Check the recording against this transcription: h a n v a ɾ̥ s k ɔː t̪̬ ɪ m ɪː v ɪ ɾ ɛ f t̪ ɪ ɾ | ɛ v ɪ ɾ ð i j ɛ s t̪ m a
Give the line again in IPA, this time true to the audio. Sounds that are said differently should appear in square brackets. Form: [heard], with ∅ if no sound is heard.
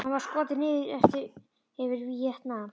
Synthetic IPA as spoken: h a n v a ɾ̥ s k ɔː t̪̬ ɪ [n] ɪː [ð] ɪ ɾ ɛ f t̪ ɪ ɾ | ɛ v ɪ ɾ [v] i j ɛ [h] t̪ [n] a